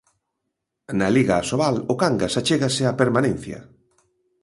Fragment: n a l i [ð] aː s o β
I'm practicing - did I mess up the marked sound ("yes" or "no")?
yes